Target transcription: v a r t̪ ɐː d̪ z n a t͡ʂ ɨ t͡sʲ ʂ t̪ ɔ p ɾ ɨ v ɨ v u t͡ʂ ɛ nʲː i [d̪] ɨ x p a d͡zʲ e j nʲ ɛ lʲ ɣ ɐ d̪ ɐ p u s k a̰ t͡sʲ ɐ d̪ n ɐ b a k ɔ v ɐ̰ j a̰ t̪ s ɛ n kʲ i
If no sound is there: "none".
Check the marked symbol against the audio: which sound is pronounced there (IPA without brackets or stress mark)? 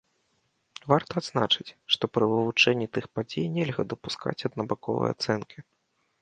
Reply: t̪